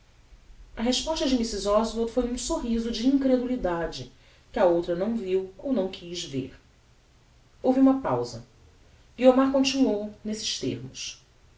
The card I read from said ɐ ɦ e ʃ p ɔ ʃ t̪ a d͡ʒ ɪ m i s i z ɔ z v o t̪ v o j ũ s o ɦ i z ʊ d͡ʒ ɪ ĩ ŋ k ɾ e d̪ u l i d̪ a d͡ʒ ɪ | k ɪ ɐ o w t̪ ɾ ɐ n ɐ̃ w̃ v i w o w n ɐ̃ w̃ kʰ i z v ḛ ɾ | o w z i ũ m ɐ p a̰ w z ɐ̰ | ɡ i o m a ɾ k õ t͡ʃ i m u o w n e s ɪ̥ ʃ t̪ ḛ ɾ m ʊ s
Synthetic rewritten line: ɐ ɦ e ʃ p ɔ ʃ t̪ ɐ d͡ʒ ɪ m i s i z ɔ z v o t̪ f o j ũ s o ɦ i z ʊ d͡ʒ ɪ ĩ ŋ k ɾ e d̪ u l i d̪ a d͡ʒ ɪ | k ɪ ɐ o w t̪ ɾ ɐ n ɐ̃ w̃ v i w o w n ɐ̃ w̃ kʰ i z v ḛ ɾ | o w v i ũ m ɐ p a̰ w z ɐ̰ | ɡ i o m a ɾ k õ t͡ʃ i n u o w n e s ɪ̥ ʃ t̪ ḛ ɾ m ʊ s